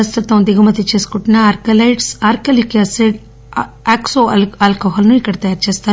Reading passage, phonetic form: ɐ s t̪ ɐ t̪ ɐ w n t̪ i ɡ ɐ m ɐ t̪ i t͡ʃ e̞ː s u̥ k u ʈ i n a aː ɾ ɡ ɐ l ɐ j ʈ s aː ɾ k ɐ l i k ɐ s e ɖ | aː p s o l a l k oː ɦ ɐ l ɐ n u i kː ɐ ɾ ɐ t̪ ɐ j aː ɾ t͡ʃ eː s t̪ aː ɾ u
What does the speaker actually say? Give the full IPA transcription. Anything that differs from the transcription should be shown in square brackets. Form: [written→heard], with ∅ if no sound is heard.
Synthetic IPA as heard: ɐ s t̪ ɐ t̪ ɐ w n [t̪→d̪] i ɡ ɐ m ɐ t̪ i t͡ʃ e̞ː s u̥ k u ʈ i n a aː ɾ [ɡ→k] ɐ l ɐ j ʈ s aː ɾ k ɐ l i k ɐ s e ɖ | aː [p→k] s o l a l k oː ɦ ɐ l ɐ n u i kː ɐ [ɾ→ɽ] ɐ t̪ ɐ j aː ɾ t͡ʃ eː s t̪ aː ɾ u